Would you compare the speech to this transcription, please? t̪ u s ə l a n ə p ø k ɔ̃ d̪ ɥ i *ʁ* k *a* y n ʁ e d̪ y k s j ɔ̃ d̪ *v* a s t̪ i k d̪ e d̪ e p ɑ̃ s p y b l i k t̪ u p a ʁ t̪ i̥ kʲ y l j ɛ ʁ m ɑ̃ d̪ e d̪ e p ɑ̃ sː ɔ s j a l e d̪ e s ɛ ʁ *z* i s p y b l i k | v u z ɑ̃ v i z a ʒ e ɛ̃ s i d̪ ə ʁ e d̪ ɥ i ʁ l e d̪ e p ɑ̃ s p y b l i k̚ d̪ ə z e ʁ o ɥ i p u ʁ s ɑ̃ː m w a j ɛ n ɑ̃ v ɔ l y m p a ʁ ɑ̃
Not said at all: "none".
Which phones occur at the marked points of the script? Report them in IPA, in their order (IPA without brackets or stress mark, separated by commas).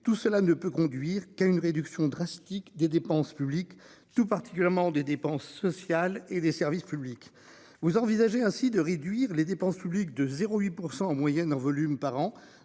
ʁ, a, ʁ, v